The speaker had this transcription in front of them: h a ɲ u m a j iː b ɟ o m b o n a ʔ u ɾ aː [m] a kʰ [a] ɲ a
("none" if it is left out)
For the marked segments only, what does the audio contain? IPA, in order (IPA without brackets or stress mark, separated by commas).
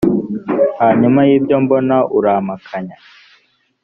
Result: m, a